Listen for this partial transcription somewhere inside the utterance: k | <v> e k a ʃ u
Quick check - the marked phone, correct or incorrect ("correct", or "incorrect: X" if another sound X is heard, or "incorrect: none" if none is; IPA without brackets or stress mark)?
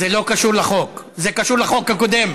incorrect: z